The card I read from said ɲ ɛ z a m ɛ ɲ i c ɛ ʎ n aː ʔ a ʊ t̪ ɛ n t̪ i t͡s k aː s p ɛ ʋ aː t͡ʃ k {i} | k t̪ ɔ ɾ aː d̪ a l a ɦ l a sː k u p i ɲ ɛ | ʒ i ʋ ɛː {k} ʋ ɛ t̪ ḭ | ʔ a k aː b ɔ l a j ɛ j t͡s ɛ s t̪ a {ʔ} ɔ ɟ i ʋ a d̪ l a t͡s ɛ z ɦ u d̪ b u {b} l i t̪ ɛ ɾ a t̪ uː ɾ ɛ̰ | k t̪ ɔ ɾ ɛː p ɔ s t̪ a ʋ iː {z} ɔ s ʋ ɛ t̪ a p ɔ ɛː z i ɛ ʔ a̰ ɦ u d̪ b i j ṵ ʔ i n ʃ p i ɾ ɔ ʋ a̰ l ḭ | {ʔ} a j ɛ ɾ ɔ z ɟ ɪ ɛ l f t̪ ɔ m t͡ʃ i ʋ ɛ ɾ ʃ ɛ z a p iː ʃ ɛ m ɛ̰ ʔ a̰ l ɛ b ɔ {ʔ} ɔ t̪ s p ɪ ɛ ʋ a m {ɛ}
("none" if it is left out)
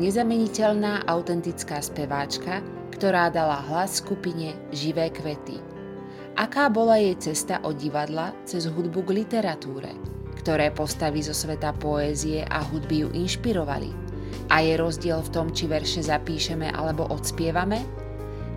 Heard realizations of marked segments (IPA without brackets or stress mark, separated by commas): a, k, ʔ, ɡ, z, ʔ, ʔ, ɛ